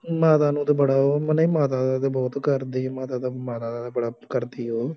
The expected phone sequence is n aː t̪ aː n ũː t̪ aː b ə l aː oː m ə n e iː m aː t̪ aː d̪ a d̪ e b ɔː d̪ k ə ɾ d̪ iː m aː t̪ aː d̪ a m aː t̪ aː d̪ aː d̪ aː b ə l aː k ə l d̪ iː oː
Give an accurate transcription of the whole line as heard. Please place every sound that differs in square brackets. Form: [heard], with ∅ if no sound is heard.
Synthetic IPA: [m] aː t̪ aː n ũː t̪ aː b ə [ɽ] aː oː m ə n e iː m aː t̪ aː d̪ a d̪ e b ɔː [t̪] k ə ɾ d̪ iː m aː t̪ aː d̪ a m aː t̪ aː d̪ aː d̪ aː b ə [ɽ] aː k ə [ɾ] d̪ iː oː